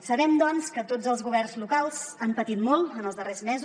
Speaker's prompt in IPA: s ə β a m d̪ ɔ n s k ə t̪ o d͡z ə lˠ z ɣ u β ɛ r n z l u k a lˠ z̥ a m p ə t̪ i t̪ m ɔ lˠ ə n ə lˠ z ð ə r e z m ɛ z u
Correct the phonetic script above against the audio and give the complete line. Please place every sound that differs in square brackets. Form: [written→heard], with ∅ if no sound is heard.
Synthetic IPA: s ə β [a→ɛ] m d̪ ɔ n s k ə t̪ o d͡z ə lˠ z ɣ u β ɛ r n z l u k a lˠ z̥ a m p ə t̪ i t̪ m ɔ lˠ ə n ə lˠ z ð ə r e z m ɛ z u